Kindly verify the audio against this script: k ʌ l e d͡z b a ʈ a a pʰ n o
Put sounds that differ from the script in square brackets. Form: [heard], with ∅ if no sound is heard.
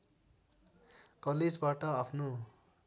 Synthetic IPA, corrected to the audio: k ʌ l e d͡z b a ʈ [ʌ] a pʰ n o